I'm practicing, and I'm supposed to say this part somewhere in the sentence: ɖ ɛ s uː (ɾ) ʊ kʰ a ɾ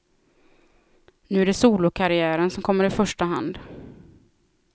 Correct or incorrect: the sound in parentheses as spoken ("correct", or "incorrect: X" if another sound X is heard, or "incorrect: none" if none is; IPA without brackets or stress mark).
incorrect: l